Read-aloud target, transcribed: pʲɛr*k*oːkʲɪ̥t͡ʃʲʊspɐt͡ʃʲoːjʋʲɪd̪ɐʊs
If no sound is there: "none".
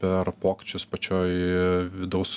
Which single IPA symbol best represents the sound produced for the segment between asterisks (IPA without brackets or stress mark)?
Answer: p